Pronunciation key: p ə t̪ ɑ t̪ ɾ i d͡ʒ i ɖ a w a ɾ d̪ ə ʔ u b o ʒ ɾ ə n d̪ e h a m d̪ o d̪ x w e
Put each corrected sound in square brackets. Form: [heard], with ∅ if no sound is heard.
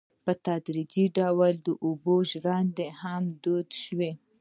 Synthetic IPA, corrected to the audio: p ə t̪ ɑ [d̪] ɾ i d͡ʒ i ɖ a w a [l] d̪ ə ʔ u b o ʒ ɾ [ɑ] n d̪ e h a m d̪ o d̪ [ʃ] w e